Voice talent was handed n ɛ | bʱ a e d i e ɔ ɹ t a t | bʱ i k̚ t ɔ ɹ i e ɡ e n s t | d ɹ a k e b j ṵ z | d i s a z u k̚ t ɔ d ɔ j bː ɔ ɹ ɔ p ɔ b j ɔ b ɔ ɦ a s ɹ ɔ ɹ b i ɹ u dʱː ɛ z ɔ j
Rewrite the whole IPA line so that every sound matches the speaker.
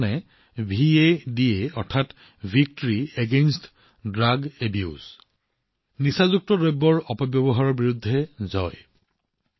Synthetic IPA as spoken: n ɛ | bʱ i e d i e ɔ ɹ tʰ a t | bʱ i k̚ t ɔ ɹ i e ɡ e n s t | d ɹ a ɡ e b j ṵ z | n i s a z u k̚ t ɔ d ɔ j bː ɔ ɹ ɔ p ɔ b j ɔ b ɔ ɦ a ɹ ɔ ɹ b i ɹ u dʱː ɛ z ɔ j